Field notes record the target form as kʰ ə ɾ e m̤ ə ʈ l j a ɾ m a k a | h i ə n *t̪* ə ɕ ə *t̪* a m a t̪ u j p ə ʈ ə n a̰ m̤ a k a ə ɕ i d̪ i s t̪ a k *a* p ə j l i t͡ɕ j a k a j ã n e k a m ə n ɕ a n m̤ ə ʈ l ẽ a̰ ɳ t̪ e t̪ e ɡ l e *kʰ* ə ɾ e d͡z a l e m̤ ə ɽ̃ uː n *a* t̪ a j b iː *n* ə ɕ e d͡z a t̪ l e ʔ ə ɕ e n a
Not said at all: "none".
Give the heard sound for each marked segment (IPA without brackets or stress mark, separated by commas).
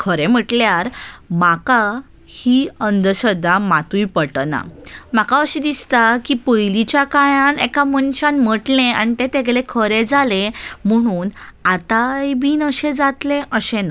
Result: d̪, d̪, i, kʰ, a, n